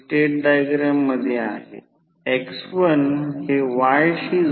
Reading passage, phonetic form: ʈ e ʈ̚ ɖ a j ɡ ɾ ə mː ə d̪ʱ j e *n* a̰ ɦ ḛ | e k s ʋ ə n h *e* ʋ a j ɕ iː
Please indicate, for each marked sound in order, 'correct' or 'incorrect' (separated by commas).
incorrect, correct